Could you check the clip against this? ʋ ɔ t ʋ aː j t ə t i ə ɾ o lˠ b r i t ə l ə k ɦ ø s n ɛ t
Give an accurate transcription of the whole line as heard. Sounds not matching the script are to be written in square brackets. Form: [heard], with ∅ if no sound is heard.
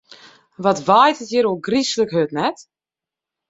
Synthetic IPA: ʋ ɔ t ʋ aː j t ə t [j] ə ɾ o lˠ [ɡ] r i [s] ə l ə k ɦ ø [t] n ɛ t